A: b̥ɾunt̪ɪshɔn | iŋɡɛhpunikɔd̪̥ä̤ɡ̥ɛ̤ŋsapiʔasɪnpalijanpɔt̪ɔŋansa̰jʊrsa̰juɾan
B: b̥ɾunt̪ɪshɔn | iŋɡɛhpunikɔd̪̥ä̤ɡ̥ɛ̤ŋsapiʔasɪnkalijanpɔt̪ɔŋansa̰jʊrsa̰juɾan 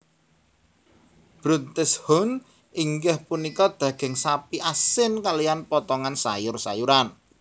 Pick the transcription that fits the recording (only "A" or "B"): B